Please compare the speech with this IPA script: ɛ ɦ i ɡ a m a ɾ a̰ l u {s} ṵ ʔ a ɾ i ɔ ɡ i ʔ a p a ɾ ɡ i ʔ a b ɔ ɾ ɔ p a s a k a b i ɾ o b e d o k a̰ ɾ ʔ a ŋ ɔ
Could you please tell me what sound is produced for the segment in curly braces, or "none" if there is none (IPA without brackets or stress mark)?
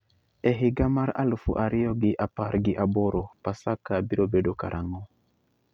f